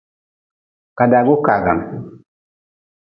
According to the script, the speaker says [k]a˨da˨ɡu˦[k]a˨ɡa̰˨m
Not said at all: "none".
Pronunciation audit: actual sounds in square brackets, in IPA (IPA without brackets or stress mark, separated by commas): k, k